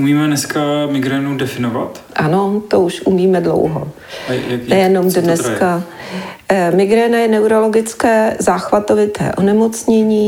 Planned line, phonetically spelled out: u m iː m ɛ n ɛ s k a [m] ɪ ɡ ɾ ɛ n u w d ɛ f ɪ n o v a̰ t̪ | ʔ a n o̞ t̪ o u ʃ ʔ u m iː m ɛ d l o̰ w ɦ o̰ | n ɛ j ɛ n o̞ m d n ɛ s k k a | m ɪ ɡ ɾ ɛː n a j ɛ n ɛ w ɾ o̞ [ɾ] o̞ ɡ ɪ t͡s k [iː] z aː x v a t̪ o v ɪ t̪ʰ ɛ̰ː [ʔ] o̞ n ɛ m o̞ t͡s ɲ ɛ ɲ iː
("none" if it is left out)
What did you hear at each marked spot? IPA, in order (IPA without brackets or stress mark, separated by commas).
m, l, ɛː, ʔ